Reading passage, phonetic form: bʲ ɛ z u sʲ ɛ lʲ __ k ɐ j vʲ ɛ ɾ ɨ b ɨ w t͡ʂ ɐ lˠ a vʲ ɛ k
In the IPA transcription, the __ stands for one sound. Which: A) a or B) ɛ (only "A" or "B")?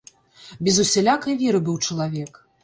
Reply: A